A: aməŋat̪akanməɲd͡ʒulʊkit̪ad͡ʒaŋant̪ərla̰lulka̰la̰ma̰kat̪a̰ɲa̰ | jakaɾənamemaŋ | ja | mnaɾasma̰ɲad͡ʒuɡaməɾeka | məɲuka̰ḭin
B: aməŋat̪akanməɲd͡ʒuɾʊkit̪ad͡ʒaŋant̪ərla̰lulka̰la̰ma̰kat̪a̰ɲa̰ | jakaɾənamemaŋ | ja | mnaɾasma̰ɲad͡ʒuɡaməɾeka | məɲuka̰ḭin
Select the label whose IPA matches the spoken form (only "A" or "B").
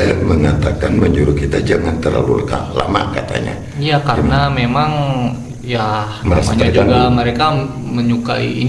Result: B